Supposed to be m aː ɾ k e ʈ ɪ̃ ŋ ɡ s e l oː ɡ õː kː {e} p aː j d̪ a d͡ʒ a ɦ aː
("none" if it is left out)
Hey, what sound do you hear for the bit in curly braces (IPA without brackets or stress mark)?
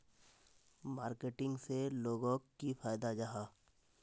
i